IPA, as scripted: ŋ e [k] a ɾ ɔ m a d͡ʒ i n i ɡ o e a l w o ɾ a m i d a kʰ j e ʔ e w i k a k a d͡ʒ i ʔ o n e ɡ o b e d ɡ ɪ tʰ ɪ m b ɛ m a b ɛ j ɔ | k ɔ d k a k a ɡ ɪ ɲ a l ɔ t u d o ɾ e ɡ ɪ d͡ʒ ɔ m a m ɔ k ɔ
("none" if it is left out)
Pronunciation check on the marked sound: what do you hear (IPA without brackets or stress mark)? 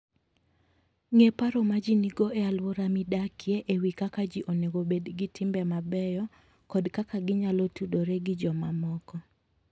p